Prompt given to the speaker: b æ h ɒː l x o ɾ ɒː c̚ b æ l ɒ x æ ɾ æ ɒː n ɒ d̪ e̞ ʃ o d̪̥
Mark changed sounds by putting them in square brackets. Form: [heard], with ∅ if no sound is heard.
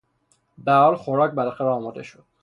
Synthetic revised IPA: b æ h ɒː l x o ɾ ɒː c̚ b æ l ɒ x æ ɾ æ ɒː [m] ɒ d̪ e̞ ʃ o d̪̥